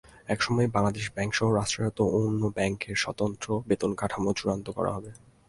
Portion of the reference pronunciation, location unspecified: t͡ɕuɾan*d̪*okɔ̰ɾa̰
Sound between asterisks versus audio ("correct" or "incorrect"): incorrect